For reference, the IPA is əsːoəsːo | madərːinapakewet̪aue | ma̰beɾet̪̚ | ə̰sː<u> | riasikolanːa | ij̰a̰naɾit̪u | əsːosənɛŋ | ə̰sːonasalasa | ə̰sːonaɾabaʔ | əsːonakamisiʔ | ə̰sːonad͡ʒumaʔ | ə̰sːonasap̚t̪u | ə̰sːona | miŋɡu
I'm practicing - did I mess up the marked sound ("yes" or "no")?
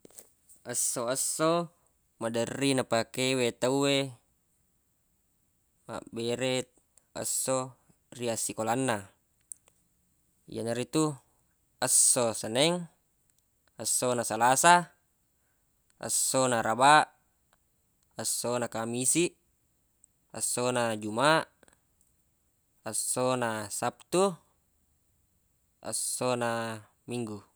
yes